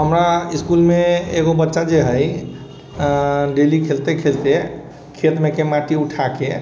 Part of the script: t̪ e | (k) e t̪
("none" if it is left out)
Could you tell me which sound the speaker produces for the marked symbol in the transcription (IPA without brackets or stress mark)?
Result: kʰ